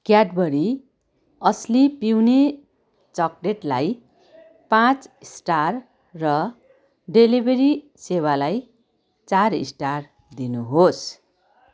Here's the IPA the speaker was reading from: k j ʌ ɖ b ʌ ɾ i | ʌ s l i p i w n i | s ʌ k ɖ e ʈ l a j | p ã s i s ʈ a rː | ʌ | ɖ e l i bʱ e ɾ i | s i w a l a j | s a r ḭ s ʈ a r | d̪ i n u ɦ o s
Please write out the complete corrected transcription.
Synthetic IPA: k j a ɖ b ʌ ɾ i | ʌ s l i p i w n e | t͡s ʌ k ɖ e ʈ l a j | p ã t͡s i s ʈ a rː | ʌ | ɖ e l i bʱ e ɾ i | s e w a l a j | t͡s a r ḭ s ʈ a r | d̪ i n u ɦ o s